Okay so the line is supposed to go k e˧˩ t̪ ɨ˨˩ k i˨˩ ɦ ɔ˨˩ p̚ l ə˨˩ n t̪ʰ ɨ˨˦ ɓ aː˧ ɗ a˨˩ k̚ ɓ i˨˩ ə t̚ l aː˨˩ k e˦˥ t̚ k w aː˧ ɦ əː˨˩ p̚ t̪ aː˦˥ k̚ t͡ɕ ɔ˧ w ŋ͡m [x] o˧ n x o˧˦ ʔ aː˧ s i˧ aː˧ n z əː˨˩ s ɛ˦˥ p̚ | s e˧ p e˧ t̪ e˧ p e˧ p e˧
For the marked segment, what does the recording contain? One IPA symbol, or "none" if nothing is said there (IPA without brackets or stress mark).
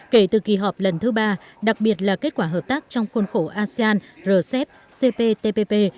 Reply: x